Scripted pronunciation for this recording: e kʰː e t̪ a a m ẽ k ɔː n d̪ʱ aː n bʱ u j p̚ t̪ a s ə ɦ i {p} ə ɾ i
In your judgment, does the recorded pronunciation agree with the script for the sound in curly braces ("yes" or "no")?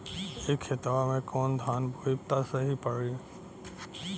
yes